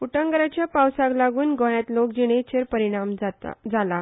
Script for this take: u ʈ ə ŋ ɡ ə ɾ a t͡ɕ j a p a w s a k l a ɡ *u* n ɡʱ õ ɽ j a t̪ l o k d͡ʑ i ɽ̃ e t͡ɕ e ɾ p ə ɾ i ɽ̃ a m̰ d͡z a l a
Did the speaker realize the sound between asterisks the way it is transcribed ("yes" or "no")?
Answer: no